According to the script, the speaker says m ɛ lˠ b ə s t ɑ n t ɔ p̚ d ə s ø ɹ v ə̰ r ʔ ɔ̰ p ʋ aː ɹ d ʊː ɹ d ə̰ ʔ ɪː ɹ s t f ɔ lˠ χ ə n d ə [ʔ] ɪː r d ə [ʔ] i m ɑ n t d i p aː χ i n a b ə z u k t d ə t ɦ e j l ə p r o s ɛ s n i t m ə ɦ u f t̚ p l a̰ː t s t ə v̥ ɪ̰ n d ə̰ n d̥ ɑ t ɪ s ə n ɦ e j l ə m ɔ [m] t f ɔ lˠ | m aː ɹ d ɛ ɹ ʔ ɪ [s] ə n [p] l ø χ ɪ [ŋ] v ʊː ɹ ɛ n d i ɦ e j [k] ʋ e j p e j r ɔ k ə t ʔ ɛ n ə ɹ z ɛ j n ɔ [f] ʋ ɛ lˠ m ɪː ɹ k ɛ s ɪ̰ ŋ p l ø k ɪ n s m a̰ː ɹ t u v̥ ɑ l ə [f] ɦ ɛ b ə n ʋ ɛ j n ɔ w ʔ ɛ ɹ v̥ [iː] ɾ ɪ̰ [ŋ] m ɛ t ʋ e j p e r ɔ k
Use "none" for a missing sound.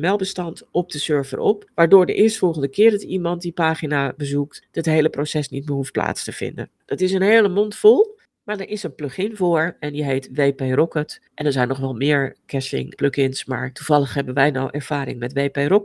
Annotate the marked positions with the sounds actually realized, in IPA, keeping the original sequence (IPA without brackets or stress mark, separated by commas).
k, t, n, s, p, n, t, χ, χ, aː, ŋ